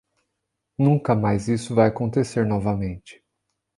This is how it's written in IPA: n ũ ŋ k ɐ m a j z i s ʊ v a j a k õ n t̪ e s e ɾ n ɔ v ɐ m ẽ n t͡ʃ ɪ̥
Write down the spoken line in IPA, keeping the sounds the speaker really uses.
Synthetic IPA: n ũ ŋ k ɐ m a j z i s ʊ v a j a k õ n t̪ e s e ɾ n ɔ v ɐ m ẽ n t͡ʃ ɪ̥